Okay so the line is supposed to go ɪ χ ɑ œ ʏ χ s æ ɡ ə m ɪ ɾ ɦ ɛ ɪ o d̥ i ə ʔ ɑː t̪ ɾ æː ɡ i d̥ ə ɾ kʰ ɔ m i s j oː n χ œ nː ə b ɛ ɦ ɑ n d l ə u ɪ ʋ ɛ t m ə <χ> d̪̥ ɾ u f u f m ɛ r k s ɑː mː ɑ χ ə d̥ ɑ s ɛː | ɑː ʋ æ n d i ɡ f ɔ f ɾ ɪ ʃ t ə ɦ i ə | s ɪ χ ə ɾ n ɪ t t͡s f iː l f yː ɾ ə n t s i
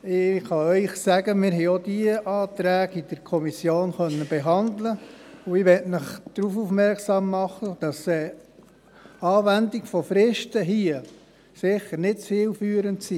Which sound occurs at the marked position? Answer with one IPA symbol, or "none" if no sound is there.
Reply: χ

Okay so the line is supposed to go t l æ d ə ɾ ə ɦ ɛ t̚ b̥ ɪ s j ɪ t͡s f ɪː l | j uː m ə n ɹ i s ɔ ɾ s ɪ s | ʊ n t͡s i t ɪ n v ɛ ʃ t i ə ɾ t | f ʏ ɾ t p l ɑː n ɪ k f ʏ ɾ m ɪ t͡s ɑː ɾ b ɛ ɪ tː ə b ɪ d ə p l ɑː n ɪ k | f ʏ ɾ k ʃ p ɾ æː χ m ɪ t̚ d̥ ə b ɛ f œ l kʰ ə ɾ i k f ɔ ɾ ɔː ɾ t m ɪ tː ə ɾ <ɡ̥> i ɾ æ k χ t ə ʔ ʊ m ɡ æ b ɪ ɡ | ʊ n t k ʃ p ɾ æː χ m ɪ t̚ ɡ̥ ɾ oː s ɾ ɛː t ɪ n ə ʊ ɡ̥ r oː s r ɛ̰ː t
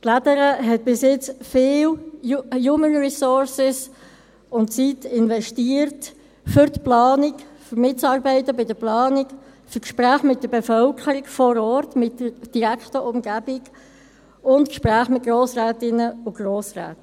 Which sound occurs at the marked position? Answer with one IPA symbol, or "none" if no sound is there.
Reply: d̥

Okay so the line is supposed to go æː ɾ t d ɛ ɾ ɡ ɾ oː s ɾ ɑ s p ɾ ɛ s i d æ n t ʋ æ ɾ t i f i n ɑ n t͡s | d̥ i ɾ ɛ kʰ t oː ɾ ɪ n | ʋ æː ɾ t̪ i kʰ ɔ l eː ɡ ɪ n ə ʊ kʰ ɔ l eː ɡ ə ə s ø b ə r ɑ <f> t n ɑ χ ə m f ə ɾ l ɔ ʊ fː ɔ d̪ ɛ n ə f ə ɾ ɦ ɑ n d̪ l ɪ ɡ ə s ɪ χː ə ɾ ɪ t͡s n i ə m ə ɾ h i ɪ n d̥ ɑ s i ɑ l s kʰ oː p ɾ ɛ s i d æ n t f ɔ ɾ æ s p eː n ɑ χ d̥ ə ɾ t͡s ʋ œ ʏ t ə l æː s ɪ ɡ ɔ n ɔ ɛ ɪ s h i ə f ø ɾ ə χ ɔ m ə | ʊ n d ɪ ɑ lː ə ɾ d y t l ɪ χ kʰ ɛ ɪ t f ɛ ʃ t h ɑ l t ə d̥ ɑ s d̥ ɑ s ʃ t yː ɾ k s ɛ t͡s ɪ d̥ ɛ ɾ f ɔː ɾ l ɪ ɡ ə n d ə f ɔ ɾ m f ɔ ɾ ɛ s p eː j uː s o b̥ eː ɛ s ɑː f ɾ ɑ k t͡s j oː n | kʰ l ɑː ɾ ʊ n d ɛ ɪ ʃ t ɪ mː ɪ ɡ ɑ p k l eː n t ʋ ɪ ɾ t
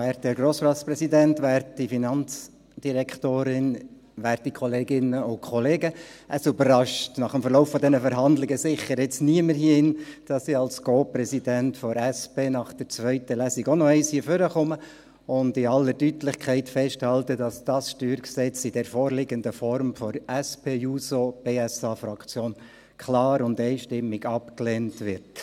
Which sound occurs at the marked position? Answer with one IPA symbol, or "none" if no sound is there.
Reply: ʃ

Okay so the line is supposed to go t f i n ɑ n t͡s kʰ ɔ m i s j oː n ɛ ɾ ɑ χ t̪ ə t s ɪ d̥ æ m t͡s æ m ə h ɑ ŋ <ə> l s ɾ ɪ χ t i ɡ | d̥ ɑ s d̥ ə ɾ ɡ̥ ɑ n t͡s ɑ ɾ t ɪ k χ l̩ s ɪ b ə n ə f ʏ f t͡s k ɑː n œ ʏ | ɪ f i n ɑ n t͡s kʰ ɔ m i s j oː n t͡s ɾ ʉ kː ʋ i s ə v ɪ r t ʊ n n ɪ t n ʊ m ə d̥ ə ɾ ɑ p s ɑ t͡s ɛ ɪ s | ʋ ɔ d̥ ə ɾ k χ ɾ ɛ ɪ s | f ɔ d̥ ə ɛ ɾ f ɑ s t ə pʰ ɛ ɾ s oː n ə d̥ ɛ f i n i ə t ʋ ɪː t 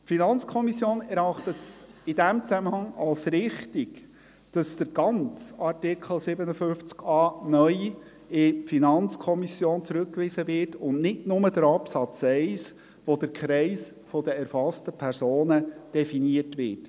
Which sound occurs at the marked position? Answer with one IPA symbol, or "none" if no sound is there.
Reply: ɑ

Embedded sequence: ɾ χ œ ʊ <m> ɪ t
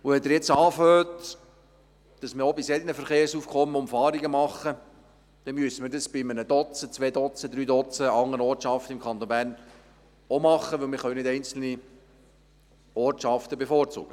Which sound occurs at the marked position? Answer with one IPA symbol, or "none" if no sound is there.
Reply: n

